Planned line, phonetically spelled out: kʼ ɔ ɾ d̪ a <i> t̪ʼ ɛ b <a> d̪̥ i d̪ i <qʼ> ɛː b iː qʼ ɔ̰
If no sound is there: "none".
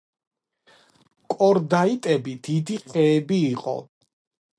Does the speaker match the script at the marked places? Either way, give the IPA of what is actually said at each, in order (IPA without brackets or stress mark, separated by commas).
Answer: i, i, qʼ